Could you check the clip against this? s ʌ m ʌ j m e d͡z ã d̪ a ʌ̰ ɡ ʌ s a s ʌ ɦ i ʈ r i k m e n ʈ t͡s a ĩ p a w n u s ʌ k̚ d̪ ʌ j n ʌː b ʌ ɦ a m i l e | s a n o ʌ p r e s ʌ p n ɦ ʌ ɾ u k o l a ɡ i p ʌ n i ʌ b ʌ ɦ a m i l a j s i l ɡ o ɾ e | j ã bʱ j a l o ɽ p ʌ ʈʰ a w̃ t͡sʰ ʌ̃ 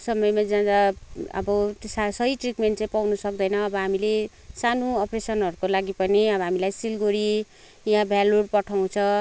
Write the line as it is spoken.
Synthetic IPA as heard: s ʌ m ʌ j m a d͡z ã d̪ a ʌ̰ b ʌ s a s ʌ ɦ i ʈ r i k m e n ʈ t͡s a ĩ p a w n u s ʌ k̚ d̪ ʌ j n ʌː b ʌ ɦ a m i l e | s a n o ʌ p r e s ʌ n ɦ ʌ ɾ u k o l a ɡ i p ʌ n i ʌ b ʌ ɦ a m i l a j s i l ɡ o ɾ i | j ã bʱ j a l o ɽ p ʌ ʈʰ a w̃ t͡sʰ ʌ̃